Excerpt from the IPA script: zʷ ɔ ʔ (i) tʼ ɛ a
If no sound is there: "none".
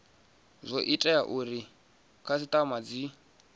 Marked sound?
i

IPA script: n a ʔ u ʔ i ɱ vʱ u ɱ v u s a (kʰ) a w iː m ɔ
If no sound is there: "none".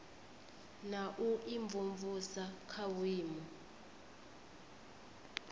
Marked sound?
kʰ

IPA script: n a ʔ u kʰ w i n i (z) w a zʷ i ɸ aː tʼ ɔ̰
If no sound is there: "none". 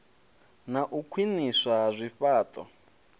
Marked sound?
s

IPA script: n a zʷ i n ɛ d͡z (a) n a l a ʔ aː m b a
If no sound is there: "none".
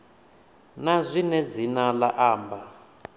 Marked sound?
i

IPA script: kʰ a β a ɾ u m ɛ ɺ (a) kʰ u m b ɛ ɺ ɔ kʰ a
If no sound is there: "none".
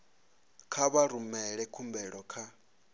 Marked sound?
ɛ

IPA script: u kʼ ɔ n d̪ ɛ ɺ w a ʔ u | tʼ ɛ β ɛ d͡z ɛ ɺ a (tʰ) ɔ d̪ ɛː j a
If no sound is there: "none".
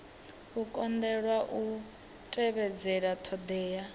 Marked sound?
tʰ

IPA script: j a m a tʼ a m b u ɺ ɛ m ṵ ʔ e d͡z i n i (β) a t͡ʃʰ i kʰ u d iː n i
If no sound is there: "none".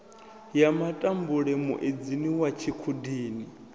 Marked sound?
w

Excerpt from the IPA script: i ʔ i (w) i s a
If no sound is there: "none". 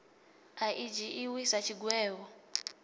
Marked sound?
w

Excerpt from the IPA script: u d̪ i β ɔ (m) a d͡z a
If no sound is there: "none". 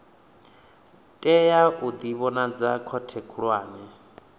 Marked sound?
n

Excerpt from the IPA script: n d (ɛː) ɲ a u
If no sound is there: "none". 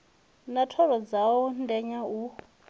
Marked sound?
ɛ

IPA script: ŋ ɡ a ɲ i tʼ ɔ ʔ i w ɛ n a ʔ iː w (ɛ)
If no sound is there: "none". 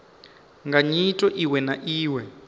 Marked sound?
ɛ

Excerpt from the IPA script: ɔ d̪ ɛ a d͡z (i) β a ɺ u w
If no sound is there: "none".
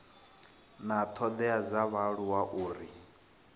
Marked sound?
a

